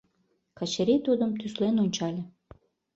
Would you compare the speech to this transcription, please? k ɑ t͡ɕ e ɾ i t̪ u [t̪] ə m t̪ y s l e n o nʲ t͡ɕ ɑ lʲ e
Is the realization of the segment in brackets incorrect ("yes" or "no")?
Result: yes